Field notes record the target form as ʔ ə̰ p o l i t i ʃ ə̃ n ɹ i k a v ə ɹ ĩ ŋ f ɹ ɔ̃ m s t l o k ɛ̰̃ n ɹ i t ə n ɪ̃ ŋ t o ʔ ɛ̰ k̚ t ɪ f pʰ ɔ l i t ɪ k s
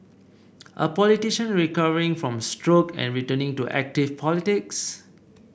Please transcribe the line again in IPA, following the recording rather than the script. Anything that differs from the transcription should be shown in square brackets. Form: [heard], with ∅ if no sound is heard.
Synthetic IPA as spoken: ʔ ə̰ p [ɔ] l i t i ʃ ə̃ n ɹ i k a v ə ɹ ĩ ŋ f ɹ ɔ̃ m s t [ɹ] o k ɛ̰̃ n ɹ i t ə n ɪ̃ ŋ t [u] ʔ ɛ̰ k̚ t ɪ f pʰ ɔ l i t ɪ k s